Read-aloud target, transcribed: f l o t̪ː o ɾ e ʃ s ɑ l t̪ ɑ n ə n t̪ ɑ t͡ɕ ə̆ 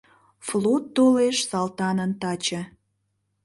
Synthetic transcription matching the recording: f l o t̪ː o l e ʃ s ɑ l t̪ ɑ n ə n t̪ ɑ t͡ɕ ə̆

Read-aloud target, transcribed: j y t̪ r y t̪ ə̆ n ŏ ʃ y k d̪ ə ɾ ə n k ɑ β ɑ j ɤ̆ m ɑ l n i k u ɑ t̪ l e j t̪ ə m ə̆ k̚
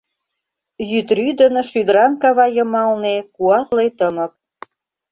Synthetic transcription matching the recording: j y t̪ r y d̪ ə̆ n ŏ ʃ y d̪ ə ɾ ɑ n k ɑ β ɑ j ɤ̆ m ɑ l n e k u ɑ t̪ l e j t̪ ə m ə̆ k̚

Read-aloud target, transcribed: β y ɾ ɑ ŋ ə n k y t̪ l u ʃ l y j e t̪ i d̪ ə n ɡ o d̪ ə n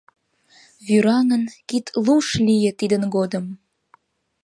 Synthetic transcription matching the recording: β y ɾ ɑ ŋ ə n k i t̪ l u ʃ l i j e t̪ i d̪ ə n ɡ o d̪ ə m

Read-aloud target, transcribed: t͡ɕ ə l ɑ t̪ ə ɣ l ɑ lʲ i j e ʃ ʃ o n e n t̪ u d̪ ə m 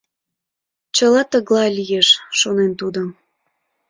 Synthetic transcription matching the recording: t͡ɕ ə l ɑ t̪ ə ɣ l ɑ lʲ i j e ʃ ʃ o n e n t̪ u d̪ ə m

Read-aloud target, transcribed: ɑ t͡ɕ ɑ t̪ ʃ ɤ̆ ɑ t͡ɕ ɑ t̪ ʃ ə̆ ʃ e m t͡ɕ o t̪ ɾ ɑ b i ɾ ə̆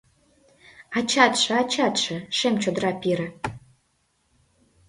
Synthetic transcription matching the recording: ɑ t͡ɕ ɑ t̪ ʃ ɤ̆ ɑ t͡ɕ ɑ t̪ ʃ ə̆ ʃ e m t͡ɕ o d̪ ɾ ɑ p i ɾ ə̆

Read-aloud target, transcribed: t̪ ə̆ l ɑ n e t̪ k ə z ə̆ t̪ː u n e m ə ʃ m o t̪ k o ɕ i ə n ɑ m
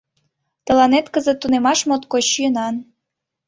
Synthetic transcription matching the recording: t̪ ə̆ l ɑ n e t̪ k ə z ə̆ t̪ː u n e m ɑ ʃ m o t̪ k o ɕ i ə n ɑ n

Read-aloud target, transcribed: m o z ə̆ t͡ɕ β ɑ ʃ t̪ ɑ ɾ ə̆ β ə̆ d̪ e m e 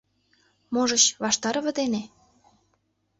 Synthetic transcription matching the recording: m o ʒ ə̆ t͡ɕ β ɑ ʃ t̪ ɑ ɾ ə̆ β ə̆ d̪ e n e

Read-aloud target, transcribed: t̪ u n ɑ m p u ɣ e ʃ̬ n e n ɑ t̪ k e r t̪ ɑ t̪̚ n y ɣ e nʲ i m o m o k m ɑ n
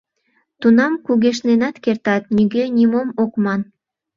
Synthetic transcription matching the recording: t̪ u n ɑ m k u ɣ e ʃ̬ n e n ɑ t̪ k e r t̪ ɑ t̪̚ n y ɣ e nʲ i m o m o k m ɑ n

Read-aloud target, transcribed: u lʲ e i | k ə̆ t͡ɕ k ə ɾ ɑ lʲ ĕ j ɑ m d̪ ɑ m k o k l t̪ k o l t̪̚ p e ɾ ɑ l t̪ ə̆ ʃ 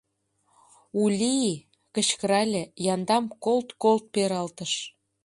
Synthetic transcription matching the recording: u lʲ i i | k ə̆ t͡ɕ k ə ɾ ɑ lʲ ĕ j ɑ n d̪ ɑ m k o l t̪ k o l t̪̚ p e ɾ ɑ l t̪ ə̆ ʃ

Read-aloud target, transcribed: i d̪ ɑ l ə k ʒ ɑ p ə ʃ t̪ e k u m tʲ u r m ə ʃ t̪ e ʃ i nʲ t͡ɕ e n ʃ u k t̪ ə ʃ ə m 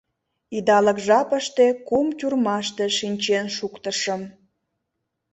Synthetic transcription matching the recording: i d̪ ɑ l ə k ʒ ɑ p ə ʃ t̪ e k u m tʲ u r m ɑ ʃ t̪ e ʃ i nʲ t͡ɕ e n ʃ u k t̪ ə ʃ ə m

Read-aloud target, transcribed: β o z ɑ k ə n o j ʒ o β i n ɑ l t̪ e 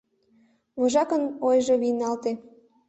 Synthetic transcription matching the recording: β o ʒ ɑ k ə n o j ʒ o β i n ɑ l t̪ e

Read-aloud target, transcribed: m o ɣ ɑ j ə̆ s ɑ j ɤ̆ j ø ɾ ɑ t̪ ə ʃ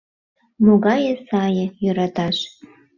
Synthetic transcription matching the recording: m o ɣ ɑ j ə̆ s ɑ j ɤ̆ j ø ɾ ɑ t̪ ɑ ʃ

